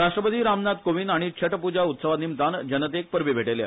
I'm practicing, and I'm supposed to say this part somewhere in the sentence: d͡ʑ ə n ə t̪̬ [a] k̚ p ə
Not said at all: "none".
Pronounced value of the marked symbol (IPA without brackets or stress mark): e